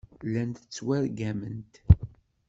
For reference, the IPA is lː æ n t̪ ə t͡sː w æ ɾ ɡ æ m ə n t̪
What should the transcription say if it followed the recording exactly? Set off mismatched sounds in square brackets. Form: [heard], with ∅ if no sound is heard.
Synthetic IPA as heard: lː æ n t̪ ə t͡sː w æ ɾ ɡ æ m ə n t̪